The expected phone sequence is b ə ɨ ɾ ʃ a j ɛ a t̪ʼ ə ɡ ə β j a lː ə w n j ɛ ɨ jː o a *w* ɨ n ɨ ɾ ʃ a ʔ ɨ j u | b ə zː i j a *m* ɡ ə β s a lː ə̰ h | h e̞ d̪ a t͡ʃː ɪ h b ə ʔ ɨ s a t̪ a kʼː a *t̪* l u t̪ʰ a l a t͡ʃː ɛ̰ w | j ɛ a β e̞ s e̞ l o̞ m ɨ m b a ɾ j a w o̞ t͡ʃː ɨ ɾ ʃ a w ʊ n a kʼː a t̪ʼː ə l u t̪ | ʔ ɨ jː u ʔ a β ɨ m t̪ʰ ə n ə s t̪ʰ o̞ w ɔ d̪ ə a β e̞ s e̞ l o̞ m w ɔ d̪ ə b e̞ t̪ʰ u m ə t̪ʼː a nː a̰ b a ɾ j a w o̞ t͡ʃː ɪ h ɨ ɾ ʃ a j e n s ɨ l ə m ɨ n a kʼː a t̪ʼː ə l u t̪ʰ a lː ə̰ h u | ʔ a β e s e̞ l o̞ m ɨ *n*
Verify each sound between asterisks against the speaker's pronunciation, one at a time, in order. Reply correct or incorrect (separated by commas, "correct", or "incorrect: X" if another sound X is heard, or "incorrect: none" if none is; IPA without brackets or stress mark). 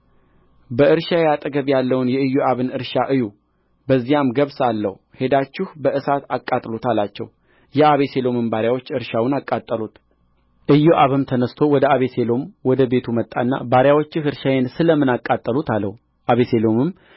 incorrect: β, correct, incorrect: t̪ʼ, incorrect: m